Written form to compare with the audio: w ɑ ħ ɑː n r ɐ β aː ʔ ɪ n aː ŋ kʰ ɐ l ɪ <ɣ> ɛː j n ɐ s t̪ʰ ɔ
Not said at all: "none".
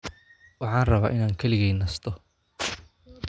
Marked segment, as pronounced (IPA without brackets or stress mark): ɣ